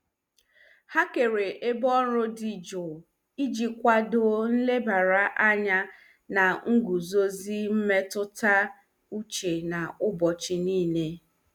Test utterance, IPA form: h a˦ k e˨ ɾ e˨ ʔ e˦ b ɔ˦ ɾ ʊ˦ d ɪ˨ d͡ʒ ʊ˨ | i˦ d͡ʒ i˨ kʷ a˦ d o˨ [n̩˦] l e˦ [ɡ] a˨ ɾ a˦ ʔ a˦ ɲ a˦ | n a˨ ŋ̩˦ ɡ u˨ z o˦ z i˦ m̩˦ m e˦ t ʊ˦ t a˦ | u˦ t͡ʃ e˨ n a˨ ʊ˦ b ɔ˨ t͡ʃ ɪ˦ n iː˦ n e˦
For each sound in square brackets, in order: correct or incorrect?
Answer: correct, incorrect

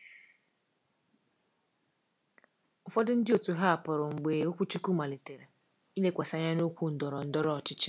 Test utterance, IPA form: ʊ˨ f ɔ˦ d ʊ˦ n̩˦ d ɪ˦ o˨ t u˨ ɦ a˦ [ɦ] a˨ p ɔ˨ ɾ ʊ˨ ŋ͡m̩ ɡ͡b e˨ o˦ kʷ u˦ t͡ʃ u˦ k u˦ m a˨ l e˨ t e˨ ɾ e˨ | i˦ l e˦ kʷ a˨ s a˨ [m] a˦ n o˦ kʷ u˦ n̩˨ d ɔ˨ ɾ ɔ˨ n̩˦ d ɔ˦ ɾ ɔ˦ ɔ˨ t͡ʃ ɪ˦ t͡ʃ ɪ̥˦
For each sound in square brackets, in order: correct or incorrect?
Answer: incorrect, incorrect

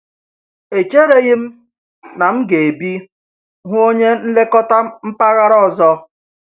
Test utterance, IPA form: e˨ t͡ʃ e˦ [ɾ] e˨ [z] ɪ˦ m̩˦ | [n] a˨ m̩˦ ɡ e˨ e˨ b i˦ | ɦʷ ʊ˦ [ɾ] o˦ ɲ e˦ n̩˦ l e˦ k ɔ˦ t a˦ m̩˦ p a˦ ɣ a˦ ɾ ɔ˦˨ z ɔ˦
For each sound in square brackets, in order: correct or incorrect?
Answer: correct, incorrect, correct, incorrect

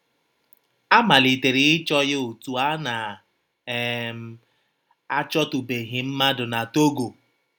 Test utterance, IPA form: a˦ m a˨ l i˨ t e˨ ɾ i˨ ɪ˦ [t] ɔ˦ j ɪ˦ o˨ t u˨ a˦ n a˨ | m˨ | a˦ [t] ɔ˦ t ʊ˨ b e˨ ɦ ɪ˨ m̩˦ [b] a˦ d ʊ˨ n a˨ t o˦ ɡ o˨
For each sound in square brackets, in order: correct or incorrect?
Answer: incorrect, incorrect, incorrect

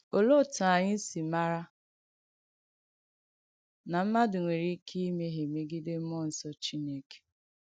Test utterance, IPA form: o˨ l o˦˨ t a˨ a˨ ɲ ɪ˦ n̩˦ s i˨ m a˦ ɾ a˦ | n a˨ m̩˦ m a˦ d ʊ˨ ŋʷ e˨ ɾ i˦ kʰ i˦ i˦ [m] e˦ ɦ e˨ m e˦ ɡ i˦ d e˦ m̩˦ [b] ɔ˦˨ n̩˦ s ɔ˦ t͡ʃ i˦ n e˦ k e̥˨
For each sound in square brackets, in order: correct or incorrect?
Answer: correct, incorrect

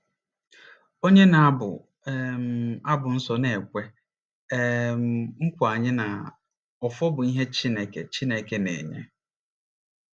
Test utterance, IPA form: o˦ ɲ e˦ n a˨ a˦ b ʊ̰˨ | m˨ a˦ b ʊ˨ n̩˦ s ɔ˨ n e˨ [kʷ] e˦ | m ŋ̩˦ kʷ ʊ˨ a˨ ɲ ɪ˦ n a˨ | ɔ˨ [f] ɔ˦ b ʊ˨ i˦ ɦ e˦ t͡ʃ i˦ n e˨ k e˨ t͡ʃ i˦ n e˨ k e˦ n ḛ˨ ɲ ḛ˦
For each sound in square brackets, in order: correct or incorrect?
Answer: correct, correct

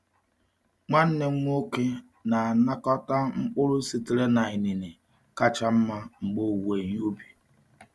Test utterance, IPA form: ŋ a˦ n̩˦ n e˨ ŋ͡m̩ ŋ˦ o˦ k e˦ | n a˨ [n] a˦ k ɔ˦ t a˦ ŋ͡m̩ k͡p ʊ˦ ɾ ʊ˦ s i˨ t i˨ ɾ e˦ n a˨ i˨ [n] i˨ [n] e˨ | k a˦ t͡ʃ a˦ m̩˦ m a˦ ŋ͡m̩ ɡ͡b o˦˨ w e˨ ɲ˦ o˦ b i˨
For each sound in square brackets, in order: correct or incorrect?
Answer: correct, correct, correct

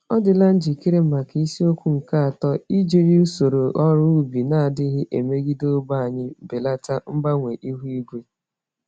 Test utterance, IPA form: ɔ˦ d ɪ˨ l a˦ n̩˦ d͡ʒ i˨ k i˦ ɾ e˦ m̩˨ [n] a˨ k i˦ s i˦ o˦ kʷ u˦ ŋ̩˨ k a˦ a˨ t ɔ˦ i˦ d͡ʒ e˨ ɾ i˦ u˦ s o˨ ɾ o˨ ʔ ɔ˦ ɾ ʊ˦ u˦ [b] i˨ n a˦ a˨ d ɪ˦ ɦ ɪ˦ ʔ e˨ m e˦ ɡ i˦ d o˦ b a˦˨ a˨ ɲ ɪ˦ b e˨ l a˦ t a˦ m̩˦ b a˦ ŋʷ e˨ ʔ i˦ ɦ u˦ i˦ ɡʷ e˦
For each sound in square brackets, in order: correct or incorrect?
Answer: incorrect, correct

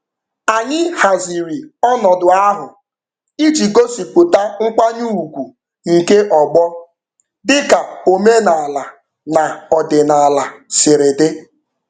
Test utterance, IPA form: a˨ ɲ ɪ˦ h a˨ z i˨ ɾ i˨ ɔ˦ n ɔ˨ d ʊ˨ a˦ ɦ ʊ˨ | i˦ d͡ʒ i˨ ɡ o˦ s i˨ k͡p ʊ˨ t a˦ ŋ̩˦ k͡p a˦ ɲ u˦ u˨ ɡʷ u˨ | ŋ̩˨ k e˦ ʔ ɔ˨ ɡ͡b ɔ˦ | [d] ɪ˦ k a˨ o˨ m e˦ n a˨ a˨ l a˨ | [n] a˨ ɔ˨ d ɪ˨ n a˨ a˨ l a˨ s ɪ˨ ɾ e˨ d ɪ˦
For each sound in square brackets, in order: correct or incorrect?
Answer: correct, correct

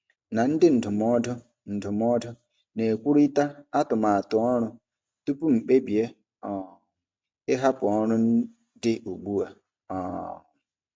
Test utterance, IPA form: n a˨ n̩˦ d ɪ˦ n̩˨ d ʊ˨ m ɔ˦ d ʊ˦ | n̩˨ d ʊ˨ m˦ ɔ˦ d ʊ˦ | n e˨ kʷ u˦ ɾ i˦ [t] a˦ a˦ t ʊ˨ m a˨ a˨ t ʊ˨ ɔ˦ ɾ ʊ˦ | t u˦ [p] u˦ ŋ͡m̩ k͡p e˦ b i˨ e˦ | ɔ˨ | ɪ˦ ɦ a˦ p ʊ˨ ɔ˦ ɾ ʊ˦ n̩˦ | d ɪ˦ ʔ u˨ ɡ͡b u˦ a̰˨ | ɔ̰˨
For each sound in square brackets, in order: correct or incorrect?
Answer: correct, correct

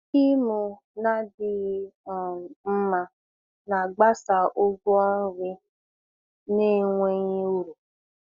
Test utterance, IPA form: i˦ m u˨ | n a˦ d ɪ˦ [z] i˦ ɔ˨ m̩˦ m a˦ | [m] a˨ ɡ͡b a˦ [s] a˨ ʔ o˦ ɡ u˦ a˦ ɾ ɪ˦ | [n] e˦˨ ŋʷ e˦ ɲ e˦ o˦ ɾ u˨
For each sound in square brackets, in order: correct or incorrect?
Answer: incorrect, incorrect, correct, correct

